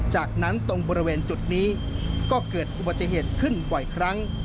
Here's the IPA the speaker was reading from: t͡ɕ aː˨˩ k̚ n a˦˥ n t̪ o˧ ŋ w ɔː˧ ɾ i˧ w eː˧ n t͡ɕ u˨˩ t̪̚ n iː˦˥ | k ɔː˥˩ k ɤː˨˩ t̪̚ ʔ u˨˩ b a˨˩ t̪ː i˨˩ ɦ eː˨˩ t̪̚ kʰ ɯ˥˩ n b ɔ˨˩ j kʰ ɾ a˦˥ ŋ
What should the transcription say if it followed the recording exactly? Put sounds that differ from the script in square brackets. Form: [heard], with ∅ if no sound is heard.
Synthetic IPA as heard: t͡ɕ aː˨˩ k̚ n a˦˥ n t̪ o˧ ŋ [b] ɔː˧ ɾ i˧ w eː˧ n t͡ɕ u˨˩ t̪̚ n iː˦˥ | k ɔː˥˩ k ɤː˨˩ t̪̚ ʔ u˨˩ b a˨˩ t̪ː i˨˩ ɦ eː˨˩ t̪̚ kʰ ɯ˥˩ n b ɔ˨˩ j kʰ ɾ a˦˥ ŋ